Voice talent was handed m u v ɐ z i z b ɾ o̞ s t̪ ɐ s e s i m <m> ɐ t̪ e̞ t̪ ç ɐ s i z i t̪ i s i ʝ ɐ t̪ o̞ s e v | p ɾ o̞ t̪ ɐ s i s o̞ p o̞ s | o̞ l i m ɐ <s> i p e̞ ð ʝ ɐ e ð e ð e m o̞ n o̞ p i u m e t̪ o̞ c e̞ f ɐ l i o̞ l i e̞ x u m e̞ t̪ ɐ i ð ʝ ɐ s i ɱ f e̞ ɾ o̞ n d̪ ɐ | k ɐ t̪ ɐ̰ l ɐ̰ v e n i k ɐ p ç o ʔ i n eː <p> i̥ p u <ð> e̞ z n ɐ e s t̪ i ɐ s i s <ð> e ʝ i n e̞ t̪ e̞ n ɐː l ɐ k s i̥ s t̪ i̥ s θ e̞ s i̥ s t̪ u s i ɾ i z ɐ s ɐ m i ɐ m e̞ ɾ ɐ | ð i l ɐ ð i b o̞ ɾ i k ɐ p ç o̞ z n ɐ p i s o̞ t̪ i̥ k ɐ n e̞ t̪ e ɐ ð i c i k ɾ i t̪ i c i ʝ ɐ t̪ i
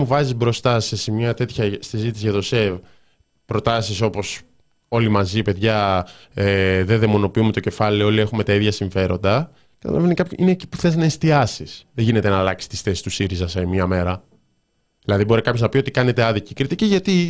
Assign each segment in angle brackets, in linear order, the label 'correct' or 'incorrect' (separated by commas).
incorrect, incorrect, incorrect, incorrect, correct